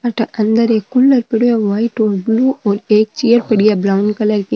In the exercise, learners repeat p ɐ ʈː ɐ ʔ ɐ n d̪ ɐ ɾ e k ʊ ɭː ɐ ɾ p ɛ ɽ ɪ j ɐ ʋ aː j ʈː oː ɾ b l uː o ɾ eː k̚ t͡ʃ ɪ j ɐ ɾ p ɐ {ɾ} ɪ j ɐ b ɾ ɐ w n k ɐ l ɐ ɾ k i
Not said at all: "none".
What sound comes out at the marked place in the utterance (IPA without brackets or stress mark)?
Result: ɽ